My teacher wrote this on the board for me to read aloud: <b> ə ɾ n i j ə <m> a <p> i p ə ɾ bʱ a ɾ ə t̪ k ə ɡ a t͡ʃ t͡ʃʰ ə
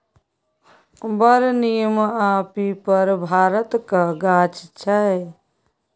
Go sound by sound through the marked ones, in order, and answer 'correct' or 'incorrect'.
correct, correct, correct

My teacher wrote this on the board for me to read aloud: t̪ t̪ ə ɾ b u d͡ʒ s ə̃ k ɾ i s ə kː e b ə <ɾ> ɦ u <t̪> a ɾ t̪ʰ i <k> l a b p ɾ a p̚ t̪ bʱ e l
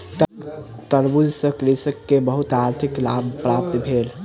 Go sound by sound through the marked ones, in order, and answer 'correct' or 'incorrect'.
incorrect, correct, correct

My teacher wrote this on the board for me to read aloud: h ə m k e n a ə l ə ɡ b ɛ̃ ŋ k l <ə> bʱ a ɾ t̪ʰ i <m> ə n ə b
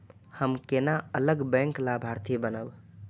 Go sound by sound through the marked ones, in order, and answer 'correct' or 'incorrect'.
incorrect, incorrect

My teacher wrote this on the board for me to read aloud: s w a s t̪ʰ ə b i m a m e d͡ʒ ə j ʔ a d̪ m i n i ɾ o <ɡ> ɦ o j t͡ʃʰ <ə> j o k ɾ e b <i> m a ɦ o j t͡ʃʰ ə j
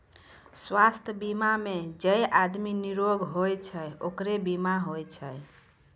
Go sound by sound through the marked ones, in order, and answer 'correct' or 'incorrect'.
correct, correct, correct

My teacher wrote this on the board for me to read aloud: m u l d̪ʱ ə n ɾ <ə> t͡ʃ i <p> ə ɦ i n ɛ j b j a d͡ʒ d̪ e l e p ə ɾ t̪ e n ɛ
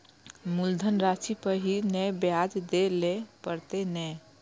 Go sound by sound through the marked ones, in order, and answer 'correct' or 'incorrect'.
incorrect, correct

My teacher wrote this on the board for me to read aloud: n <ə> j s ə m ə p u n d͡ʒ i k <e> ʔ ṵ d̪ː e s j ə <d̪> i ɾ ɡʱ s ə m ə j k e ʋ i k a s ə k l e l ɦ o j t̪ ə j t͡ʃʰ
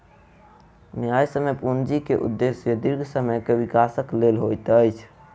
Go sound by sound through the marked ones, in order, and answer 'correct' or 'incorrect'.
incorrect, correct, correct

